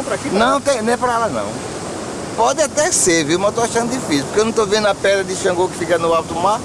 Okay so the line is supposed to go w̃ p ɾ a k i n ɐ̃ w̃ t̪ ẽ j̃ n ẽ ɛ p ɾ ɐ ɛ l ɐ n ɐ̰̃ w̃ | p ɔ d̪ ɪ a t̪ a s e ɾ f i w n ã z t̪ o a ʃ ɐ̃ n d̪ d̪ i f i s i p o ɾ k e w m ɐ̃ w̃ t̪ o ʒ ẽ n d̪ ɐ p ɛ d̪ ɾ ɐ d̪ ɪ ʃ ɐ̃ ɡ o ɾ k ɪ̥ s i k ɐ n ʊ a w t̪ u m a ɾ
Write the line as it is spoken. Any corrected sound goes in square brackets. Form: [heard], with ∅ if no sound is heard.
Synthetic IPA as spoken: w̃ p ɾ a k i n ɐ̃ w̃ t̪ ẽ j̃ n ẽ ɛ p ɾ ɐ ɛ l ɐ n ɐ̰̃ w̃ | p ɔ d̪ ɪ a t̪ [ɛ] s e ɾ [v] i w [m] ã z t̪ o a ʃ ɐ̃ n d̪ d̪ i f i s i p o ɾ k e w [n] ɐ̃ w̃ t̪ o [v] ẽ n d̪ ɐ p ɛ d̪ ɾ ɐ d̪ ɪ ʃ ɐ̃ ɡ o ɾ k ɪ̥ [f] i k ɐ n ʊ a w t̪ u m a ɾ